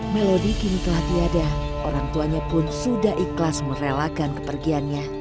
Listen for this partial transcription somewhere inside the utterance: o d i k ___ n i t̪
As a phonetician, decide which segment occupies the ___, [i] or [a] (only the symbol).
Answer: i